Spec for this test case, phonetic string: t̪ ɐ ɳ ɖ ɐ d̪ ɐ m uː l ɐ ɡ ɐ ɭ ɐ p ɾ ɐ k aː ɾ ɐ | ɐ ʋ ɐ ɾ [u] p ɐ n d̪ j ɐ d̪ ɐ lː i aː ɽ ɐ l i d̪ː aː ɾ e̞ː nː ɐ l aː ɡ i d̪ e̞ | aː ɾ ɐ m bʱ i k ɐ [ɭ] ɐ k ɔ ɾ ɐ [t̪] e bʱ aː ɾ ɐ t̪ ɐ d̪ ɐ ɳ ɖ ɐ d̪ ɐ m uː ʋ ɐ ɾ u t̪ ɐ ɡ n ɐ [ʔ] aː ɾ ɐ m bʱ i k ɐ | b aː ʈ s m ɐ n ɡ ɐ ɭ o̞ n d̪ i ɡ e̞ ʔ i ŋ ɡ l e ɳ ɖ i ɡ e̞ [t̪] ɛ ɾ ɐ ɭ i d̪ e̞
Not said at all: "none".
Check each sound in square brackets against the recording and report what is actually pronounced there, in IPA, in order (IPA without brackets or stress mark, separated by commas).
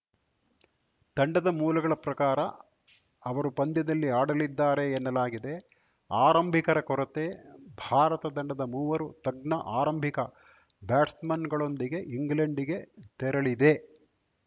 u, ɾ, t̪, ʔ, t̪